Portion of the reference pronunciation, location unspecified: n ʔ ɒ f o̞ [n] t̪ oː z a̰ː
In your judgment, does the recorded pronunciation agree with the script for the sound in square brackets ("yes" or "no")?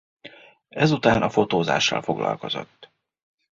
no